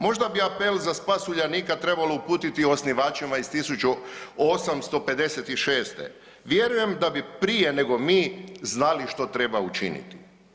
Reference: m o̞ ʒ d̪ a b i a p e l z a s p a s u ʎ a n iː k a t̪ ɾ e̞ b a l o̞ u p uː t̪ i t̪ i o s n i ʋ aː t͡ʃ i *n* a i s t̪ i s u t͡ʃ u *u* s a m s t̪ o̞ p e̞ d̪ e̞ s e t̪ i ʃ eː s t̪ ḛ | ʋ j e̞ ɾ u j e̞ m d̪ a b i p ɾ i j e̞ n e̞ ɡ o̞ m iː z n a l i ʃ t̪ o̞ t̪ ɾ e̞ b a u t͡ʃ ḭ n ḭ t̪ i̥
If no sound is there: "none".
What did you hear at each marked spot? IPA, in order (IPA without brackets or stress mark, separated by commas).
m, o